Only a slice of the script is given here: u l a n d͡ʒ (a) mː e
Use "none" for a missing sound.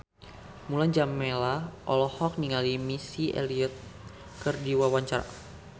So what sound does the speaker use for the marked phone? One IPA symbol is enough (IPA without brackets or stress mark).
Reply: a